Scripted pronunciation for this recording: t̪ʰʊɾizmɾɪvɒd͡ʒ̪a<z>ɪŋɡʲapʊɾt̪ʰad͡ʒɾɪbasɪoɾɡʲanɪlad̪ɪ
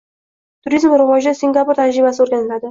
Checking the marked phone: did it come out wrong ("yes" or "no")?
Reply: yes